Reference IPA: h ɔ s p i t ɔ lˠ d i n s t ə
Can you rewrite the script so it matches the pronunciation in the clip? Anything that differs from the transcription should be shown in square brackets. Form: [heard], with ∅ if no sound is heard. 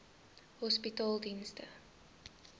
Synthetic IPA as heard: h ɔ s p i t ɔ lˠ d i n s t ə